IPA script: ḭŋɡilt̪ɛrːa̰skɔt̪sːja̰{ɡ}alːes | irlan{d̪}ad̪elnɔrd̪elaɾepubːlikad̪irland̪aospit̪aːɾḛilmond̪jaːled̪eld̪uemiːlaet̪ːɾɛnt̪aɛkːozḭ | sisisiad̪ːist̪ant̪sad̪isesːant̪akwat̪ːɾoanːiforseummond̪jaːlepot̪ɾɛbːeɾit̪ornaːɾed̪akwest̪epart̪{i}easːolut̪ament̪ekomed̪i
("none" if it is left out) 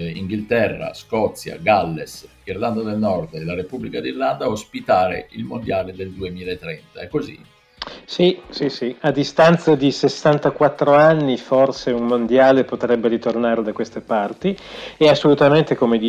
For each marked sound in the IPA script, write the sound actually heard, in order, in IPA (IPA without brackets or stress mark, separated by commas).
ɡ, d̪, i